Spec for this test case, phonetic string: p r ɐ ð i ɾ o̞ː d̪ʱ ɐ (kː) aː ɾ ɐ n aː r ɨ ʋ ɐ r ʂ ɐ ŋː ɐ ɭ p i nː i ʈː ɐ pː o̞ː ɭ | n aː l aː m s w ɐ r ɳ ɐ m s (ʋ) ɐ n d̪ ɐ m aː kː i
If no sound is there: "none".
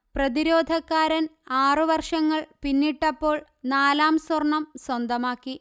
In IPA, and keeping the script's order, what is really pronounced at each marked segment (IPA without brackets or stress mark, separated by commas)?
kː, w